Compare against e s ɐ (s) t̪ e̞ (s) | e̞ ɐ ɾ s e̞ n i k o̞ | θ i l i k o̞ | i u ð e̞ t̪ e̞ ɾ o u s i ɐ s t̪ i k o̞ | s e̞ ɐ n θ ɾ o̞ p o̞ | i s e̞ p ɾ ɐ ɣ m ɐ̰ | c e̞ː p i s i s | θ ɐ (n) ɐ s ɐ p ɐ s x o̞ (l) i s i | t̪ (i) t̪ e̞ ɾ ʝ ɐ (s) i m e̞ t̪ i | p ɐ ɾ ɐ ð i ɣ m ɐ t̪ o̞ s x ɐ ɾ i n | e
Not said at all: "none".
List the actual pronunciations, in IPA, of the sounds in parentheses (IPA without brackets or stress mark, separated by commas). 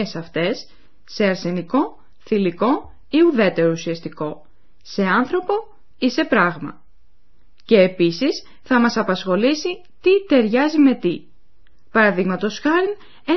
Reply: f, sː, m, l, i, z